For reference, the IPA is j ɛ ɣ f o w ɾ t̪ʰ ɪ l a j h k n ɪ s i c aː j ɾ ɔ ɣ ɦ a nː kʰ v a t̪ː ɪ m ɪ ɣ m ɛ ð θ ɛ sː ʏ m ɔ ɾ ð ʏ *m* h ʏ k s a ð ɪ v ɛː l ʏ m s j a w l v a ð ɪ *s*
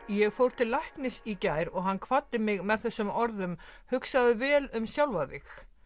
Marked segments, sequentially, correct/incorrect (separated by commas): correct, incorrect